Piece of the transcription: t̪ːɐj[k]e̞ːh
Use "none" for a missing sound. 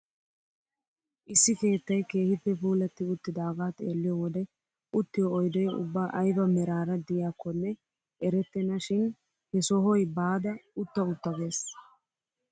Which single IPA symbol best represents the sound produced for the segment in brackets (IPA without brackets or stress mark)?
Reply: k